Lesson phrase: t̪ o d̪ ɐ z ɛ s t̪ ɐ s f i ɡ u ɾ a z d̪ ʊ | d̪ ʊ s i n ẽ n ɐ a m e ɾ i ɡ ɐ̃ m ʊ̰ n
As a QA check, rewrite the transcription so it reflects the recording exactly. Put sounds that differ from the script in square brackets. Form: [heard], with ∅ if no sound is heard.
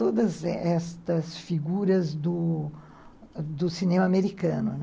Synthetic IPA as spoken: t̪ o d̪ ɐ z ɛ s t̪ ɐ s f i ɡ u ɾ [ɐ] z d̪ ʊ | d̪ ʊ s i n ẽ [m] ɐ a m e ɾ i [k] ɐ̃ [n] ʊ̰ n